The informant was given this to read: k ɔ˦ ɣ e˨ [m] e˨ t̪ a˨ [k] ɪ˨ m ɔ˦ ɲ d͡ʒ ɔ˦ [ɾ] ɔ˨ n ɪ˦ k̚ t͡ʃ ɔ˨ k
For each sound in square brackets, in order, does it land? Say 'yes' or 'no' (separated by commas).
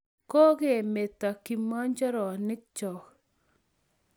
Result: yes, yes, yes